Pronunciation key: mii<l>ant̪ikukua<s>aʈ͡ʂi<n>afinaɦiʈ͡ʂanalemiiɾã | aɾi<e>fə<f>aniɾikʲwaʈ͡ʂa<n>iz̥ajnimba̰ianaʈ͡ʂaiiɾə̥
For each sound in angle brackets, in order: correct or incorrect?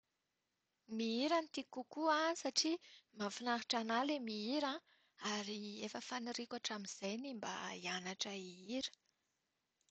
incorrect: ɾ, correct, incorrect: m, correct, correct, incorrect: m

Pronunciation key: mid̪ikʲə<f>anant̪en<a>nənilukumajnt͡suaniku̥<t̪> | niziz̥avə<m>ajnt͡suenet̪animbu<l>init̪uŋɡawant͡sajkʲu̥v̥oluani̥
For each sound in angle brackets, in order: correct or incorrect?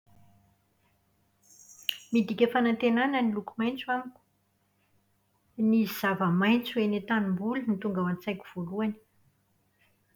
correct, correct, incorrect: none, correct, correct

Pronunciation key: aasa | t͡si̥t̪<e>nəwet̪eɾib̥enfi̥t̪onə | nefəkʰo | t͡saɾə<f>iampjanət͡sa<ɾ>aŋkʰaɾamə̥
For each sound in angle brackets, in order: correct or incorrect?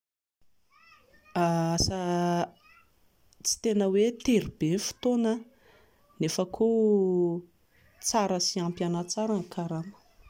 correct, incorrect: s, correct

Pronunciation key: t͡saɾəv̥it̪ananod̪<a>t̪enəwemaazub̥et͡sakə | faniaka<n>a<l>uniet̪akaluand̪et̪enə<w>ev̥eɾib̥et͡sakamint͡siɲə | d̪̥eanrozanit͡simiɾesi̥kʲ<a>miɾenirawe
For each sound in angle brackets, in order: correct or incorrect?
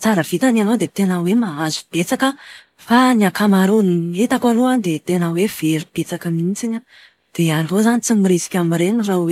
incorrect: e, incorrect: m, incorrect: ɾ, correct, correct

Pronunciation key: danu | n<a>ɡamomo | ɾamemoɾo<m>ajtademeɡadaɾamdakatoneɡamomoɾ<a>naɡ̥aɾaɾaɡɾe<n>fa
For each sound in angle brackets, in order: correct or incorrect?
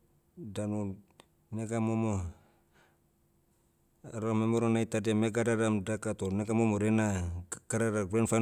incorrect: e, incorrect: n, incorrect: e, correct

